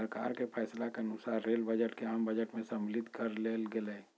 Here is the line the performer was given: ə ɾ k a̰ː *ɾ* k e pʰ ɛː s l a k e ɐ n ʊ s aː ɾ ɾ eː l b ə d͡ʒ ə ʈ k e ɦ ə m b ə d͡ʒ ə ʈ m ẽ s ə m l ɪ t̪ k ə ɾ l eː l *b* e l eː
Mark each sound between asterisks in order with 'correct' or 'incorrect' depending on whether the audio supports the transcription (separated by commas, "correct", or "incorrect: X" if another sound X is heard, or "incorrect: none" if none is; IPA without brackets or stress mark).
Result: correct, incorrect: ɡ